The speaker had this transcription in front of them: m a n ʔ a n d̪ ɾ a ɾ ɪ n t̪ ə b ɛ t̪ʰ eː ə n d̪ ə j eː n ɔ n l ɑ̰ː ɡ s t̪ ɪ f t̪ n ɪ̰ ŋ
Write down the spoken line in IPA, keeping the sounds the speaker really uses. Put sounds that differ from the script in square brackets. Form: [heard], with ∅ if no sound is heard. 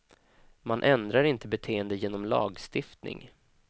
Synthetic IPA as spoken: m a n ʔ [ɛ] n d̪ ɾ a ɾ ɪ n t̪ ə b ɛ t̪ʰ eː ə n d̪ ə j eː n ɔ [m] l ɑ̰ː ɡ s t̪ ɪ f t̪ n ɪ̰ ŋ